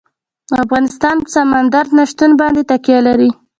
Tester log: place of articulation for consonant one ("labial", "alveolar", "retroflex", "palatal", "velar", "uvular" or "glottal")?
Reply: labial